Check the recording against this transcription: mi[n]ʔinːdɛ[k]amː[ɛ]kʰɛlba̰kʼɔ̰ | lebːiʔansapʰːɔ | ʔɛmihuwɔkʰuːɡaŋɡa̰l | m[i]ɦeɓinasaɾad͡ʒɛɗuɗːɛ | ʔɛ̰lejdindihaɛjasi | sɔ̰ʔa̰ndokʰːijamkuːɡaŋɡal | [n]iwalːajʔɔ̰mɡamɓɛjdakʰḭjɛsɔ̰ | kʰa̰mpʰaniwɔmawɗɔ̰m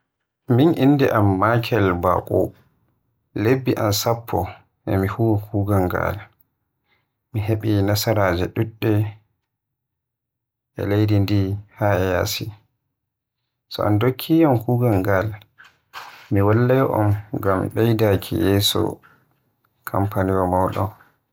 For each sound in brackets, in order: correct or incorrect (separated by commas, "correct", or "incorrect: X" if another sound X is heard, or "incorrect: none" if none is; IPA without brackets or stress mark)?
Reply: correct, incorrect: ʔ, incorrect: a, correct, incorrect: m